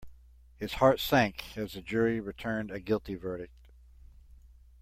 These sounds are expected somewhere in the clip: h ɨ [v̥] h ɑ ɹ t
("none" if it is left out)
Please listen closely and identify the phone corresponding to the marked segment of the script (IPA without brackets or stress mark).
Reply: z̥